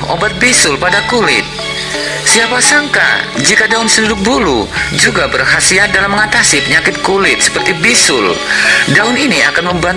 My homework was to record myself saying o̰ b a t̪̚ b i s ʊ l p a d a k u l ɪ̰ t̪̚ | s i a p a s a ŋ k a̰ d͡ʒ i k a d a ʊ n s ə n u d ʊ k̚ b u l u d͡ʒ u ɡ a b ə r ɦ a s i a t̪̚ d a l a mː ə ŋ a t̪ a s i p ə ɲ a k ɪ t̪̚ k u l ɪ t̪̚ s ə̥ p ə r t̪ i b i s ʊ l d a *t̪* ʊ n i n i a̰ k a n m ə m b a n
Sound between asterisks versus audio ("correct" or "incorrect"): incorrect